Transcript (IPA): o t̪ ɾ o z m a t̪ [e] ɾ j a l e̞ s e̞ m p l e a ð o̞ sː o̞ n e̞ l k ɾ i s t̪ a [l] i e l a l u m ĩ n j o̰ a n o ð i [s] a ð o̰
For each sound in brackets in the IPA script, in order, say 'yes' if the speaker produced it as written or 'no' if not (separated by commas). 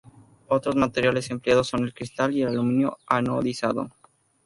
yes, yes, yes